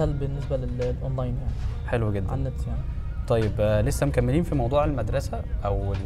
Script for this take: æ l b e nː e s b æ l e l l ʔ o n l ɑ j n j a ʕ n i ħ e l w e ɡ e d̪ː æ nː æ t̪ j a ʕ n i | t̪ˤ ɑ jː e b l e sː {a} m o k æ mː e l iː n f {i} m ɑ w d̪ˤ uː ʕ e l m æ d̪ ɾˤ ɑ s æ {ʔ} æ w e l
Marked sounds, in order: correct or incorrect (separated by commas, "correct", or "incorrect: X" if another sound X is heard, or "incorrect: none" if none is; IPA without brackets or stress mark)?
incorrect: æ, correct, correct